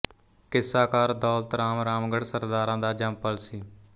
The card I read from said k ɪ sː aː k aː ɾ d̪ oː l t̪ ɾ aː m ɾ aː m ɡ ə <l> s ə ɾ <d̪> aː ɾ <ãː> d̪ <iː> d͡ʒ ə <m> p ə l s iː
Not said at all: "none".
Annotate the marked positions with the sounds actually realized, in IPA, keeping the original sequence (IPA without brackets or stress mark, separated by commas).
ɽ, d̪, ãː, aː, m